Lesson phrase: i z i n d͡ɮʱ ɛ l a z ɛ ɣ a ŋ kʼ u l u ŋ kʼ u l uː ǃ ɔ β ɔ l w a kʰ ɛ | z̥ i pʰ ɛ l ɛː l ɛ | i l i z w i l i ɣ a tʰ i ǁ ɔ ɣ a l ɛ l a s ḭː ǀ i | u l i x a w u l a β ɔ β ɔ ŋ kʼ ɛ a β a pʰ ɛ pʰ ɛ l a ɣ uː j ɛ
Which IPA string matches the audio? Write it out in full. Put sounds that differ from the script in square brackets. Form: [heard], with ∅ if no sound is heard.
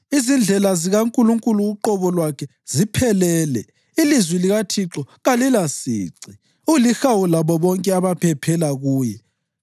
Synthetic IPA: i z i n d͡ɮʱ ɛ l a z [i] ɣ a ŋ kʼ u l u ŋ kʼ u l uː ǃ ɔ β ɔ l w a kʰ ɛ | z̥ i pʰ ɛ l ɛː l ɛ | i l i z w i l i ɣ a tʰ i ǁ ɔ ɣ a l [i] l a s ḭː ǀ i | u l i x a w u l a β ɔ β ɔ ŋ kʼ ɛ a β a pʰ ɛ pʰ ɛ l a ɣ uː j ɛ